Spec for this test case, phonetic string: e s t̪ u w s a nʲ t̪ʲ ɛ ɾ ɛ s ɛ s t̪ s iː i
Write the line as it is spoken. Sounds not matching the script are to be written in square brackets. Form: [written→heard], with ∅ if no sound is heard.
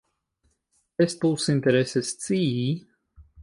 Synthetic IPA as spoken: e s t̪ u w s [a→i] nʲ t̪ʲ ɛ ɾ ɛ s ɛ s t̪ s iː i